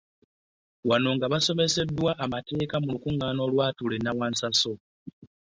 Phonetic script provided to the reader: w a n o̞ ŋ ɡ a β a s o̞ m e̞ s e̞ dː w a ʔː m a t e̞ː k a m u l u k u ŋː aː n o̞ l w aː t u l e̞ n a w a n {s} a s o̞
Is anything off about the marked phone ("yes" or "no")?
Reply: no